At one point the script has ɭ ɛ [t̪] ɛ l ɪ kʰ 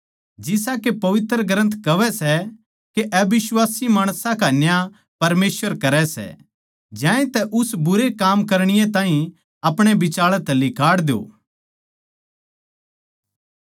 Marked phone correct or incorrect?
correct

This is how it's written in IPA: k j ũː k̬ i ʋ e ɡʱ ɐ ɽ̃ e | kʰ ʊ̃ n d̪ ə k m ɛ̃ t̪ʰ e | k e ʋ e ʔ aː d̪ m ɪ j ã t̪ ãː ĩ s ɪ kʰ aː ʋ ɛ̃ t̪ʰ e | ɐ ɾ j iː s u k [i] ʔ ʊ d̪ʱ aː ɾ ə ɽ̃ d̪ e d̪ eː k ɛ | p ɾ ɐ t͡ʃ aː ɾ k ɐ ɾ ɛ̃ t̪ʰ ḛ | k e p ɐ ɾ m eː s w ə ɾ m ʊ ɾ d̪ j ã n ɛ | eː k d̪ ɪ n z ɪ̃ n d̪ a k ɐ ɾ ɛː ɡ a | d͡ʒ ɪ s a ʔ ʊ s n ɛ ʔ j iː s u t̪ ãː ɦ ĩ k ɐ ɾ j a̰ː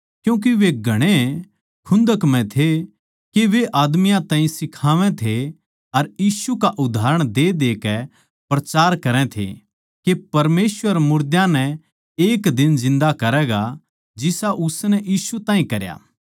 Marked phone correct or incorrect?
incorrect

